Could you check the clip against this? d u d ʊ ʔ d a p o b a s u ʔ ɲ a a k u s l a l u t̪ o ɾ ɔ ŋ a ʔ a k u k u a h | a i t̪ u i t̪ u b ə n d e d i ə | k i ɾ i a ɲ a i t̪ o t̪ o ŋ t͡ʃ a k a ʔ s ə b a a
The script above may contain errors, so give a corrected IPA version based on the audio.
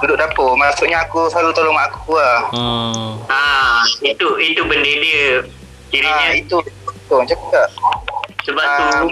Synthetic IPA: d u d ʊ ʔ d a p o m a s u ʔ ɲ a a k u s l a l u t̪ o l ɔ ŋ a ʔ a k u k u a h | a i t̪ u i t̪ u b ə n d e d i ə | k i ɾ i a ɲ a i t̪ u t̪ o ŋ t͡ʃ a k a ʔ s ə b a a